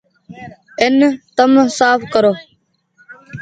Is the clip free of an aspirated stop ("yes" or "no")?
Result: yes